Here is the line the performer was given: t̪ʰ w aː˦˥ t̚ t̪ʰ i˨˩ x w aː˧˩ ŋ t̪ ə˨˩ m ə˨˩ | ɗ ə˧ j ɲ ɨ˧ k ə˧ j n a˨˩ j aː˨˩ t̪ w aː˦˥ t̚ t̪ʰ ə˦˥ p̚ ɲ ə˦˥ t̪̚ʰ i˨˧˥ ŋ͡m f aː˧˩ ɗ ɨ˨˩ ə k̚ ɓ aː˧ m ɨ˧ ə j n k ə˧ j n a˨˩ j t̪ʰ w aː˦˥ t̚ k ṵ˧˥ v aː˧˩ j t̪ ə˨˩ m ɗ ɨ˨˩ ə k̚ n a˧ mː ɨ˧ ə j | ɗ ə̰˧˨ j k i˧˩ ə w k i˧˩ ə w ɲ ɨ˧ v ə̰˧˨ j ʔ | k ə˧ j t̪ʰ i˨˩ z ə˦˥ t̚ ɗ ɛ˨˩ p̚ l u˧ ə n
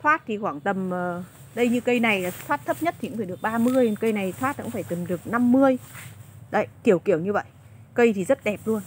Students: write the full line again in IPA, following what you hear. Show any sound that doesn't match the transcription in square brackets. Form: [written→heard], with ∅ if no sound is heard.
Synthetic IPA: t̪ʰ w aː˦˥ t̚ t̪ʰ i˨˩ x w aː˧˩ ŋ t̪ ə˨˩ m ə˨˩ | ɗ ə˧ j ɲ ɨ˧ k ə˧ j n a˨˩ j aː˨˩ t̪ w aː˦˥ t̚ t̪ʰ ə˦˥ p̚ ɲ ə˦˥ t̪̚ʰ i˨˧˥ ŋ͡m f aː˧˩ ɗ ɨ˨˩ ə k̚ ɓ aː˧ m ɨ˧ ə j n k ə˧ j n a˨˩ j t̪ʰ w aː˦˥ t̚ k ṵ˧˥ [v→f] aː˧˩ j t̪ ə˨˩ m ɗ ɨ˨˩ ə k̚ n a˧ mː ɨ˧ ə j | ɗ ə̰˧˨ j k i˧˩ ə w k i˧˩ ə w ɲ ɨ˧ v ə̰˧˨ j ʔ | k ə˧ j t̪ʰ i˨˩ z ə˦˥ t̚ ɗ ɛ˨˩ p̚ l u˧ ə n